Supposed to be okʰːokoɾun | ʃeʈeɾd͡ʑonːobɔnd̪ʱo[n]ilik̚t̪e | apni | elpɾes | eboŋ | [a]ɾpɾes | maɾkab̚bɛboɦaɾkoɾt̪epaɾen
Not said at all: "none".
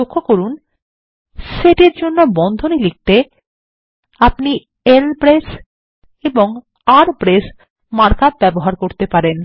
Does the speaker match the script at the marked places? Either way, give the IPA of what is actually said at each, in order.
n, a

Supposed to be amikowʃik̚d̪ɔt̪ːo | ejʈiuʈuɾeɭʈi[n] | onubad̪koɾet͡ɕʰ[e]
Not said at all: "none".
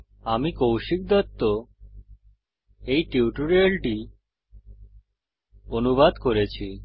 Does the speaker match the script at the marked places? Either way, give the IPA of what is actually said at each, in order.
none, i

